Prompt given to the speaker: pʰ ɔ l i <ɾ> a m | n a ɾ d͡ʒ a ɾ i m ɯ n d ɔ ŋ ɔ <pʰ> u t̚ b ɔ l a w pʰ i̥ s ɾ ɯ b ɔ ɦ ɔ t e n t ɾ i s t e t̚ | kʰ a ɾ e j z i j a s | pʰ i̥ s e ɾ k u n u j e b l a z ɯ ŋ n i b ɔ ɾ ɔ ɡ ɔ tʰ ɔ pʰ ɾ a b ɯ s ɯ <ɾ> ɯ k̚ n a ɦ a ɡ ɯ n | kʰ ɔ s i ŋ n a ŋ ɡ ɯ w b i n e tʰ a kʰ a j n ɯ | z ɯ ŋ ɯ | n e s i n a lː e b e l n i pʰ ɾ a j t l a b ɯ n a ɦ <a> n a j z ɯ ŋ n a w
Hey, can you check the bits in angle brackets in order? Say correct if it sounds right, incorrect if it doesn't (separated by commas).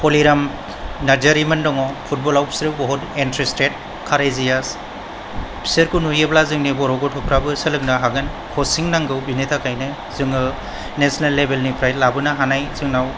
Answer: correct, correct, incorrect, correct